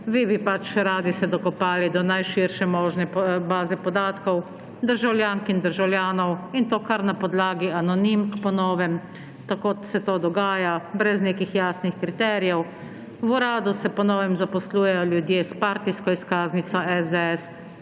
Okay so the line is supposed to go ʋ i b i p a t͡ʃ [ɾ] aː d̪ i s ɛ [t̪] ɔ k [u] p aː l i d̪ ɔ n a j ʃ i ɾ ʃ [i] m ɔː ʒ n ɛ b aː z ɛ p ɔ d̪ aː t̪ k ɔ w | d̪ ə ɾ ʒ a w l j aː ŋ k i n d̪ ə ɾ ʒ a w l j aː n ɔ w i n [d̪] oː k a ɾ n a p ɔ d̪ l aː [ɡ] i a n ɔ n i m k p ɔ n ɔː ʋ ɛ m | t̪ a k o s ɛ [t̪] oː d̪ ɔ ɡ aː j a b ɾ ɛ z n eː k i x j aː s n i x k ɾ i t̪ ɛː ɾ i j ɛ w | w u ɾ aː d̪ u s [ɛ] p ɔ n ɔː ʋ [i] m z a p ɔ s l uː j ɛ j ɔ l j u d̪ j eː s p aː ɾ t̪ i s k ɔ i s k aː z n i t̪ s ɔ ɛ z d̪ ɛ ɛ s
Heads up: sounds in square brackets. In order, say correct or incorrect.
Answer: correct, incorrect: d̪, incorrect: ɔ, incorrect: ɛ, incorrect: t̪, correct, correct, correct, incorrect: ɛ

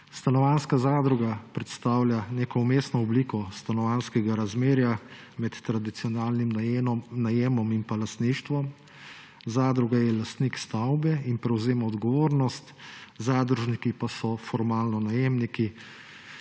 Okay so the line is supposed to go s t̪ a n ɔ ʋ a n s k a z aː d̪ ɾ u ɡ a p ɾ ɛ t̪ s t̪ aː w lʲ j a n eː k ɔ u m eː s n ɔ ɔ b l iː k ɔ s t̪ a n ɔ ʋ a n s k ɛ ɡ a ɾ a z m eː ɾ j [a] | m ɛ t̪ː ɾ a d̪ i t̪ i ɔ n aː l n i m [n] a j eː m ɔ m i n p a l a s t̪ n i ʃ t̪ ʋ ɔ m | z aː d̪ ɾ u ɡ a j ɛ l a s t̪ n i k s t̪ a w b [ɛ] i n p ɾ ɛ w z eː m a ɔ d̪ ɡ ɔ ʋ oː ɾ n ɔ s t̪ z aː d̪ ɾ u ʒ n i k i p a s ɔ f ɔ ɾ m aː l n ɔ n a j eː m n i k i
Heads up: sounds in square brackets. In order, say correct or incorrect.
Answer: correct, correct, correct

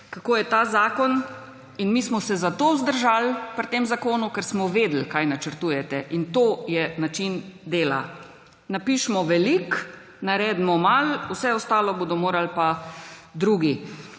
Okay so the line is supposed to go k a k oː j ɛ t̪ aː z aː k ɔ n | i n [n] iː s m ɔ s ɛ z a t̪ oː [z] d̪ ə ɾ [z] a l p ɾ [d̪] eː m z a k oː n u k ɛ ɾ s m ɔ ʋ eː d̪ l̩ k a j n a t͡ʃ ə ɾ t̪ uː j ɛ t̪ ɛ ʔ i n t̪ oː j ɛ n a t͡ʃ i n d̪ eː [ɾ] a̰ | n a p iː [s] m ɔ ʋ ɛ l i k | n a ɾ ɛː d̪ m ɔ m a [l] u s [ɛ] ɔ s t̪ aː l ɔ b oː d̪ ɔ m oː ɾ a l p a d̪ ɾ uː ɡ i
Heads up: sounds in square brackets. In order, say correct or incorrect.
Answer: incorrect: m, correct, incorrect: ʒ, incorrect: t̪, incorrect: l, incorrect: ʃ, correct, correct

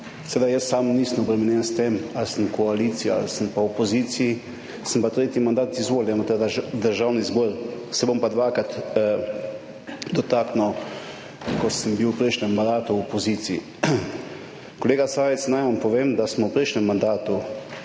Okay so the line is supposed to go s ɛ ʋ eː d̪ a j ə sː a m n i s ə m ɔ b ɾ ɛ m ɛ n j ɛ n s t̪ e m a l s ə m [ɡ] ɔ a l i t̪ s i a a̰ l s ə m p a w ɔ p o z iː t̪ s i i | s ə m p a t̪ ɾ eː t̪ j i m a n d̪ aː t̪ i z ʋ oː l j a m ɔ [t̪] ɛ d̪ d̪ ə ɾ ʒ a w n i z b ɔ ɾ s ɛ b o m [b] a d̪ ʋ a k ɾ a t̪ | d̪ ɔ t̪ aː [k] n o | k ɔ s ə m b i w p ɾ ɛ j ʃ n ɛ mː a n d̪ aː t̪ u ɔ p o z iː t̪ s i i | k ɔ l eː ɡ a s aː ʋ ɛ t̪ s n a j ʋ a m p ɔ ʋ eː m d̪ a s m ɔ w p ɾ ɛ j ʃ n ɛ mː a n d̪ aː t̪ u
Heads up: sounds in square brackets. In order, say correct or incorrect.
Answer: incorrect: k, correct, incorrect: p, correct

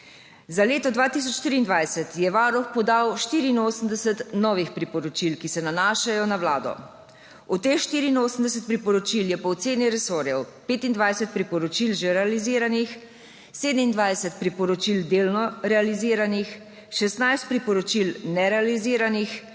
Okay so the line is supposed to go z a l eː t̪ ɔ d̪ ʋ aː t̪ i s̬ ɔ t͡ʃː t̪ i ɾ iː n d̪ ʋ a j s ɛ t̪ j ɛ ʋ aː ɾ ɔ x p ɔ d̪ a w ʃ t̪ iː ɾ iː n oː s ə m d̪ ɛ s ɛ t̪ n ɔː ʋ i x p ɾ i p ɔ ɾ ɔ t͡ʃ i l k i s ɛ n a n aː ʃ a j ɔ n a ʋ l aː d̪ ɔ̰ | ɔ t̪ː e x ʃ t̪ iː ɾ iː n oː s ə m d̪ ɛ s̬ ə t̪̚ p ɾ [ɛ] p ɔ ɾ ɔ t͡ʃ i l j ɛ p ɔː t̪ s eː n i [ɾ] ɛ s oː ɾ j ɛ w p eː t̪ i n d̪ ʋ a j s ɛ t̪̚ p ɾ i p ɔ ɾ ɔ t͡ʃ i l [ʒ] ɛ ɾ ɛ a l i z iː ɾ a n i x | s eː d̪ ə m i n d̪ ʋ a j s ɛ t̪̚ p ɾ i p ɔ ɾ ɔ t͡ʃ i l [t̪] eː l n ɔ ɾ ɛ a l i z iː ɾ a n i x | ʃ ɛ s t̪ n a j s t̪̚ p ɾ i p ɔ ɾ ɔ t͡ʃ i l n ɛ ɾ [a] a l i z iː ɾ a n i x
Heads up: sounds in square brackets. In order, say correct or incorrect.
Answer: incorrect: i, correct, correct, incorrect: d̪, incorrect: ɛ

